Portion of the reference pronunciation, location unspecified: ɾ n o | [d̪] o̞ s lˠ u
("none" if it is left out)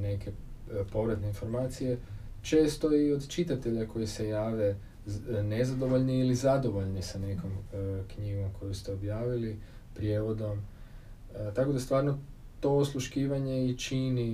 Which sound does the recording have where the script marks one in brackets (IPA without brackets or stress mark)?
t̪